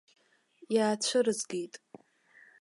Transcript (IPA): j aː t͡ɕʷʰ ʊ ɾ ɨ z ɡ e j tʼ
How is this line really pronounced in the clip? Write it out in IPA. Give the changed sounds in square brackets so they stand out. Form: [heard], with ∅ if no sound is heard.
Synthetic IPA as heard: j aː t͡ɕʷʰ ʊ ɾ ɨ z ɡ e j tʼ